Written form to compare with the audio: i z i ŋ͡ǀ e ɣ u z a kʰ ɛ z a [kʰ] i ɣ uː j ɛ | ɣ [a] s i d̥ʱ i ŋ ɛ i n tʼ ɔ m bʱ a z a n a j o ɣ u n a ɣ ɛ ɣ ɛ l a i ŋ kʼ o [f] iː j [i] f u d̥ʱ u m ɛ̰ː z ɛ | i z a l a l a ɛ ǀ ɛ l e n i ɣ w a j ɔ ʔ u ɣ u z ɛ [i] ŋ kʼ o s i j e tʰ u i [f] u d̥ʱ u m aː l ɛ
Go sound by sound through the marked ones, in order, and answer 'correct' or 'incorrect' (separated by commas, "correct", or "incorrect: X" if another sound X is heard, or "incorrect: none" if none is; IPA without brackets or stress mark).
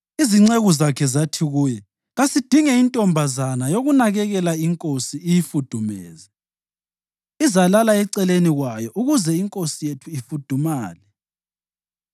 incorrect: tʰ, correct, incorrect: s, correct, correct, correct